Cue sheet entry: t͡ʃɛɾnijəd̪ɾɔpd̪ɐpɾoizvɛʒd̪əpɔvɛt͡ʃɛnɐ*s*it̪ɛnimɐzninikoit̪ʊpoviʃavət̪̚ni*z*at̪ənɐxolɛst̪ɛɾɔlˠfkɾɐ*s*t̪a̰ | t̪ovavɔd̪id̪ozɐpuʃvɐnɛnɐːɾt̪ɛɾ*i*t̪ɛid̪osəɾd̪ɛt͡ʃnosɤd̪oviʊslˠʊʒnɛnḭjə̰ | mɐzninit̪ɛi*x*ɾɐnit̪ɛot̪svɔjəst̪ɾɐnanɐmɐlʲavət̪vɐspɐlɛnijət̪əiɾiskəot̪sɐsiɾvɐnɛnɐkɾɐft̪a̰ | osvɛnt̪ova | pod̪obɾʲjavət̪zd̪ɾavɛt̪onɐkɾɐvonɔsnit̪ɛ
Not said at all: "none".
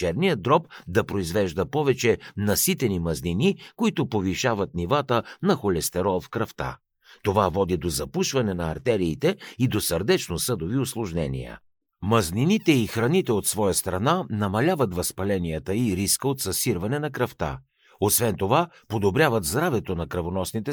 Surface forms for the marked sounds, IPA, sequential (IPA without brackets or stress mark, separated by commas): s, v, f, iː, x